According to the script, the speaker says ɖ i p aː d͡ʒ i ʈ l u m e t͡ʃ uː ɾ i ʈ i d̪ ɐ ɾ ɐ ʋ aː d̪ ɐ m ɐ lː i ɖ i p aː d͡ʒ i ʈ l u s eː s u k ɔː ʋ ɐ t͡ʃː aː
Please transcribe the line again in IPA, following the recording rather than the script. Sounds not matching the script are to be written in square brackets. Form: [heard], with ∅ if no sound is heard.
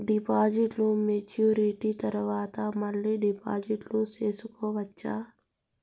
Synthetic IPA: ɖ i p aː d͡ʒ i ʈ l u m e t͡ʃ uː ɾ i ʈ i [t̪] ɐ ɾ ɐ ʋ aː [t̪] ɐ m ɐ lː i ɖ i p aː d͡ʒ i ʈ l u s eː s u k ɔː ʋ ɐ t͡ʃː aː